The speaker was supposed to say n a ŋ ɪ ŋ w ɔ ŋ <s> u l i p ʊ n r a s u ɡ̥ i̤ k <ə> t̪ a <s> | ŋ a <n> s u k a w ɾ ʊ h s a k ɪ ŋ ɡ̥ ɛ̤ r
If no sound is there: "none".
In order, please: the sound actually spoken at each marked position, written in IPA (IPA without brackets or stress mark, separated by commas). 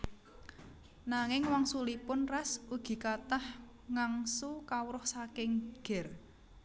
s, a, h, ŋ